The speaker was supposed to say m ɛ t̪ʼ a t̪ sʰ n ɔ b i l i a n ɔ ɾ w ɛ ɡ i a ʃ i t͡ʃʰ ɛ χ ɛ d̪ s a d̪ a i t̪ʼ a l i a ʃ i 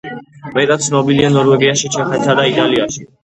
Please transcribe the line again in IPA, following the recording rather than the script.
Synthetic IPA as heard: m ɛ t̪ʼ a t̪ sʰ n ɔ b i l i a n ɔ ɾ w ɛ ɡ i a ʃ i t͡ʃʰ ɛ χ ɛ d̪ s a d̪ a i t̪ʼ a l i a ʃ i